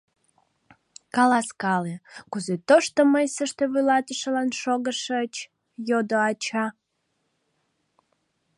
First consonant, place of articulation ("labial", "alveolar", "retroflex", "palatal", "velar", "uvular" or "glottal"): velar